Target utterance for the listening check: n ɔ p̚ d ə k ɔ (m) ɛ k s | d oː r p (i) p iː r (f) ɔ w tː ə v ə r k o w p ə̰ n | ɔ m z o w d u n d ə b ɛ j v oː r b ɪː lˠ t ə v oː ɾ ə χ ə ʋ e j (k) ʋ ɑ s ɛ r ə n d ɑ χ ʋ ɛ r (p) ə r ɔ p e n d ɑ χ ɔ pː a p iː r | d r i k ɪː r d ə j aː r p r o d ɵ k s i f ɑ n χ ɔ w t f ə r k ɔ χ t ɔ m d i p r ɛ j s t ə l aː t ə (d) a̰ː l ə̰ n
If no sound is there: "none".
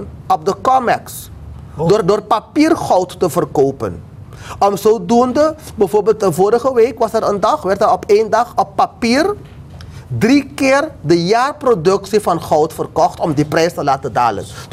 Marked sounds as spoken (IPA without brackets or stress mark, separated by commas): m, a, χ, k, t, d